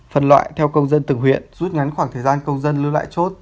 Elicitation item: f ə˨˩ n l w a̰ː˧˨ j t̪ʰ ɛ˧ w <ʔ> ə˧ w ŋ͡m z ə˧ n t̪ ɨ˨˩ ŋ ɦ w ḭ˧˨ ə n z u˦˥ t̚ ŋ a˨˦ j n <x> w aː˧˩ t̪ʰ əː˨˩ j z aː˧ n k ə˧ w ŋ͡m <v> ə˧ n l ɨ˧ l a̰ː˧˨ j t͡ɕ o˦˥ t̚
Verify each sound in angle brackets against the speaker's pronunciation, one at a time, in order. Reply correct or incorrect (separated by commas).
incorrect, correct, incorrect